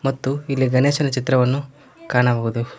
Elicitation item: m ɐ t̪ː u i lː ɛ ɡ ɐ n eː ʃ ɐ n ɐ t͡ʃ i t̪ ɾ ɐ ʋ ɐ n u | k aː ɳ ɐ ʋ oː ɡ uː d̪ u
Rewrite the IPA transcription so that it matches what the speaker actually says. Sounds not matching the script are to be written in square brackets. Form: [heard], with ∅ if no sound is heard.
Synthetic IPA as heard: m ɐ t̪ː u i lː [i] ɡ ɐ n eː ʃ ɐ n ɐ t͡ʃ i t̪ ɾ ɐ ʋ ɐ [nː] u | k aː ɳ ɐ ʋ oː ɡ [u] d̪ u